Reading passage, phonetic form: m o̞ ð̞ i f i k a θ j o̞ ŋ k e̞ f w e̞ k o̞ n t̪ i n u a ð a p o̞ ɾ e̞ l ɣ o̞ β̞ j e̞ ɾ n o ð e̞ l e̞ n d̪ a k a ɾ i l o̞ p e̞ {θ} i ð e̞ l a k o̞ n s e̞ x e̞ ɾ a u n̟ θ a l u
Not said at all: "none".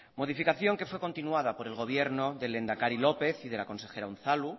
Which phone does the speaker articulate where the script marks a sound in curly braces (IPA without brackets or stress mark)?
θ